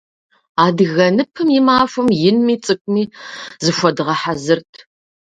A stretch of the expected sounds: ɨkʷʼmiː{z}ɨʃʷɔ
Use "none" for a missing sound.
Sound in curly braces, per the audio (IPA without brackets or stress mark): z